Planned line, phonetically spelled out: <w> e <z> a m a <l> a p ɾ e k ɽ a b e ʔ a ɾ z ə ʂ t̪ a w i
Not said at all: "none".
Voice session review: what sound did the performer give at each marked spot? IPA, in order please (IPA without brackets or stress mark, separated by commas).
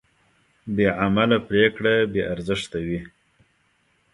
b, ʕ, l